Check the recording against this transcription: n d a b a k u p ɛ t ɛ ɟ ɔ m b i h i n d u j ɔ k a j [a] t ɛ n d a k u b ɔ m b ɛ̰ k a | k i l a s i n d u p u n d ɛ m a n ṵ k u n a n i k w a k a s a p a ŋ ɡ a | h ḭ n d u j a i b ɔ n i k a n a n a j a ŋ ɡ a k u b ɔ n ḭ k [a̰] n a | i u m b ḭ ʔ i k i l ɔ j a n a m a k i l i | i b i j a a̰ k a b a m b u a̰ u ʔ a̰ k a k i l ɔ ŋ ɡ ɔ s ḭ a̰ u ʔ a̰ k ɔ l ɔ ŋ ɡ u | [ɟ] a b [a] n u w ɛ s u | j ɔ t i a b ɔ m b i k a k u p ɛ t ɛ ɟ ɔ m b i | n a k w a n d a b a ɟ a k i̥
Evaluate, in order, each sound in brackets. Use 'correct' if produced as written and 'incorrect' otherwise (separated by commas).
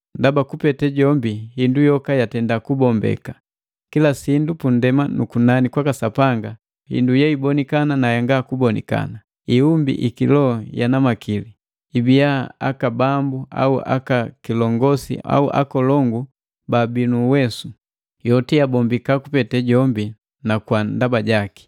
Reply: correct, correct, incorrect, incorrect